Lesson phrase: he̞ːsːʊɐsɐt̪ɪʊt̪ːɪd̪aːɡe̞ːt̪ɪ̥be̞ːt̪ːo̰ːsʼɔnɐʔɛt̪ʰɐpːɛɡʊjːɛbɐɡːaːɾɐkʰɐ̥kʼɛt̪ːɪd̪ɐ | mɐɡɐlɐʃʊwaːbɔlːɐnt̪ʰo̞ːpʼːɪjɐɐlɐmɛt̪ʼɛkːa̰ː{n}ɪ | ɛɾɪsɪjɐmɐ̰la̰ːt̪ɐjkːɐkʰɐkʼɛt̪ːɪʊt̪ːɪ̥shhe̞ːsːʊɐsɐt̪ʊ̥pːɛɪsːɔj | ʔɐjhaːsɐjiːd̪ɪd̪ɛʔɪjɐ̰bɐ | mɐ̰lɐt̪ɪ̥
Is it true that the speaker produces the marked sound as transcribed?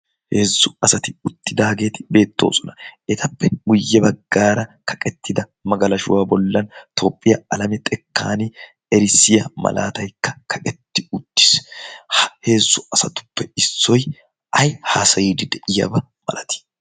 yes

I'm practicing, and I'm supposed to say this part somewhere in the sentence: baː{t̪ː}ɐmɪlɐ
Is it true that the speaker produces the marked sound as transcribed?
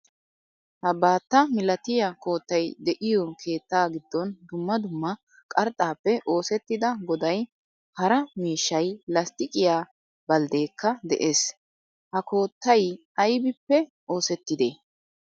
yes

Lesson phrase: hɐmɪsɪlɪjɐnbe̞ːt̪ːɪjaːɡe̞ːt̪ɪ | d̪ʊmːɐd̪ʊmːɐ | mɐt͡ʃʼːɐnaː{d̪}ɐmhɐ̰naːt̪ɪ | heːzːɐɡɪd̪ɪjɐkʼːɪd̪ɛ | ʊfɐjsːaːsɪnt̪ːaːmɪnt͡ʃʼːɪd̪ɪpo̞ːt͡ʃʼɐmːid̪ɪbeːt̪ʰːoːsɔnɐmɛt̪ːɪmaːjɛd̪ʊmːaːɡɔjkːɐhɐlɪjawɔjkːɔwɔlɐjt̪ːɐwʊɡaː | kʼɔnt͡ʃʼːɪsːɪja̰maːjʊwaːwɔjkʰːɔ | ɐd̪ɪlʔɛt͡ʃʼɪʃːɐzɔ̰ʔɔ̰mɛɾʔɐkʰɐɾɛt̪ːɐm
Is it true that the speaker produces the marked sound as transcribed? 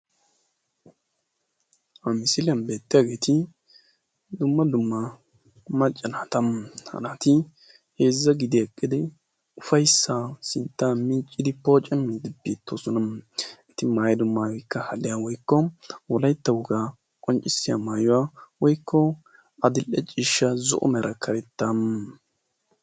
no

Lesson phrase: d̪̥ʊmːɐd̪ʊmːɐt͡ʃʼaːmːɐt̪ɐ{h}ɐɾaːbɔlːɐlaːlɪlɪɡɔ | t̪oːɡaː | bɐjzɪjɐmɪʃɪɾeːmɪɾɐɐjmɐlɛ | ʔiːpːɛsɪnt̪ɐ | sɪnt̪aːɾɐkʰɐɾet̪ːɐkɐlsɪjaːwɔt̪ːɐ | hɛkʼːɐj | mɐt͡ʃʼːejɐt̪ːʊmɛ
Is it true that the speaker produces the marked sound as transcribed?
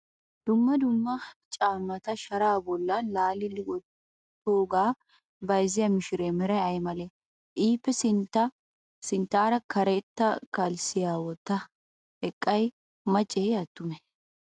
no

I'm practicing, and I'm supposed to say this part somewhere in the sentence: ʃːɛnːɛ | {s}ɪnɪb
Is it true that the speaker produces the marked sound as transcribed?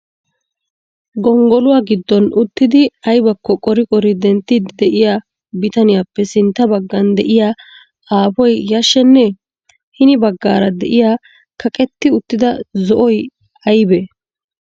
no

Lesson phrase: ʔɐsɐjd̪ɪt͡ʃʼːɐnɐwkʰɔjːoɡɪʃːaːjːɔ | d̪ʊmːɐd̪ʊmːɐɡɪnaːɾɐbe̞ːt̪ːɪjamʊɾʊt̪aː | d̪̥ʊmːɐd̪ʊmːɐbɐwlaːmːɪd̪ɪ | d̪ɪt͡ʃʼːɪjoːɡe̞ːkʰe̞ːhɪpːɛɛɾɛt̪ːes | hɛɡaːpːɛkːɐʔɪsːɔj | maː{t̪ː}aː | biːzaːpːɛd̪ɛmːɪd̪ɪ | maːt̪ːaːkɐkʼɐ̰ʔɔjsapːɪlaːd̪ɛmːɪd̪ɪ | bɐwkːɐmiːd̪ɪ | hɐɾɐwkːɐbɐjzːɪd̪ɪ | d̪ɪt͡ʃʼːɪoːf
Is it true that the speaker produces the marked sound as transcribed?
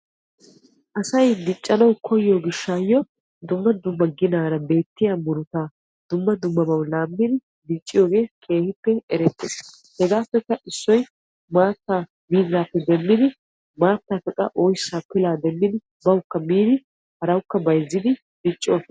yes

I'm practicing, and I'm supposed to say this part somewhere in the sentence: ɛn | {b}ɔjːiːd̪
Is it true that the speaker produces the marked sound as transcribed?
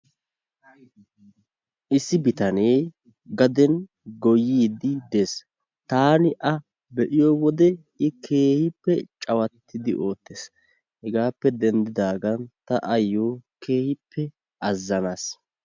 no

